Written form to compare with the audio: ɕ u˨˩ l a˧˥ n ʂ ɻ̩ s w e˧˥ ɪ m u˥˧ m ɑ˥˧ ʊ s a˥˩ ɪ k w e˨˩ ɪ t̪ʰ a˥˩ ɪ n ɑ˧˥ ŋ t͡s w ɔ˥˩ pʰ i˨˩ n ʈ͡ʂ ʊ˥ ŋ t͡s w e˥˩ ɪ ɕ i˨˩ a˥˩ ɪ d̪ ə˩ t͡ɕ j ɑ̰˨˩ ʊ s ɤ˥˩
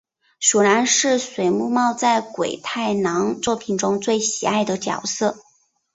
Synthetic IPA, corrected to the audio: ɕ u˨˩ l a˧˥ n ʂ ɻ̩ s w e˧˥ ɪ m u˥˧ m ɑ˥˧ ʊ t͡s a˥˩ ɪ k w e˨˩ ɪ t̪ʰ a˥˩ ɪ n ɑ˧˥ ŋ t͡s w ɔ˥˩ pʰ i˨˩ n ʈ͡ʂ ʊ˥ ŋ t͡s w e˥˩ ɪ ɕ i˨˩ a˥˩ ɪ d̪ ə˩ t͡ɕ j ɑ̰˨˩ ʊ s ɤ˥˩